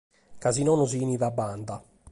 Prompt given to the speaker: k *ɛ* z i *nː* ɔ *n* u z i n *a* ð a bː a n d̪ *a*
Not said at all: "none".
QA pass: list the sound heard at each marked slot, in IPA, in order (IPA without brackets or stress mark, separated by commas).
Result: a, n, n, i, a